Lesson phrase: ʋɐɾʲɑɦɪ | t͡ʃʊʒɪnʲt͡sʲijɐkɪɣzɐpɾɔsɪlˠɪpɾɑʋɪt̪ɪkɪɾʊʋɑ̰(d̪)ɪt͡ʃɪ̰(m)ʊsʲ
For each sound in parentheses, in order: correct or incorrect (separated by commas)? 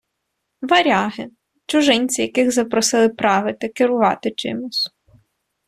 incorrect, correct